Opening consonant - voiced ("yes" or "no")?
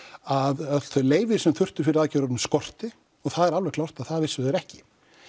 yes